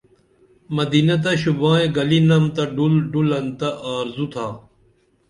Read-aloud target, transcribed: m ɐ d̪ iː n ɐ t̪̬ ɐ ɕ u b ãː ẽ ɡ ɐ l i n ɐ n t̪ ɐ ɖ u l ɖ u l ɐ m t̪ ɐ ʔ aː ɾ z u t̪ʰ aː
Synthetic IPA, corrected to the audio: m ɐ d̪ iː n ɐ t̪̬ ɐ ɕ u b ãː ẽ ɡ ɐ l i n ɐ m t̪ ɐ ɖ u l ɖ u l ɐ n t̪ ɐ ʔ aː ɾ z u t̪ʰ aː

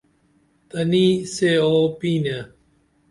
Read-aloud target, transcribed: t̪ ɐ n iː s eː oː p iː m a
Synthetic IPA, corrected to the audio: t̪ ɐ n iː s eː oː p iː n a

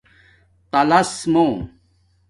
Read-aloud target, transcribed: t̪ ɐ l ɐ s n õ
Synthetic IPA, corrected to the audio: t̪ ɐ l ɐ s m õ

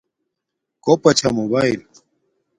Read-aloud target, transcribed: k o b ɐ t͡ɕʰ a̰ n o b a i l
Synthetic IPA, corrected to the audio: k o p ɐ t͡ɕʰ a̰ m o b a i l

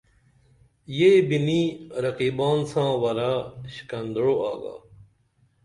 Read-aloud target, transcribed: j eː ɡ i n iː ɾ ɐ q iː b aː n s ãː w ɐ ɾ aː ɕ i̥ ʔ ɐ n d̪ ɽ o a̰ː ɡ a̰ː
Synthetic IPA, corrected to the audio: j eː b i n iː ɾ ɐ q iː b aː n s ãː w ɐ ɾ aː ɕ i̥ k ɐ n d̪ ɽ o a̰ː ɡ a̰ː

